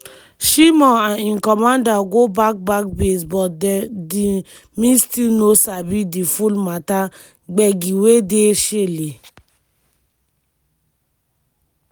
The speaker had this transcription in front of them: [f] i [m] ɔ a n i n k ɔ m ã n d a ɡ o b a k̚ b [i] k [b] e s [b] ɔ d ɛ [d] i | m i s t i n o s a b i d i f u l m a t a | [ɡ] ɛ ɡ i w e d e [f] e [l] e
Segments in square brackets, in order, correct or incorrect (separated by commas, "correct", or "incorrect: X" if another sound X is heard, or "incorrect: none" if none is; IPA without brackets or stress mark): incorrect: ʃ, correct, incorrect: a, correct, correct, correct, incorrect: ɡ͡b, incorrect: ʃ, correct